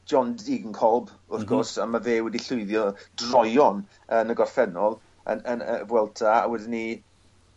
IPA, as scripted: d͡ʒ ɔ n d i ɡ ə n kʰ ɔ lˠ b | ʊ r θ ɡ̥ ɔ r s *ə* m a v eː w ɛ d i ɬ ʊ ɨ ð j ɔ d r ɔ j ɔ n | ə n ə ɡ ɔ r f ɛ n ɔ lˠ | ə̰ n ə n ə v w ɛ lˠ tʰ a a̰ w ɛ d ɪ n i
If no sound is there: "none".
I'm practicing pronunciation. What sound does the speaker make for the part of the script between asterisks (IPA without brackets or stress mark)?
a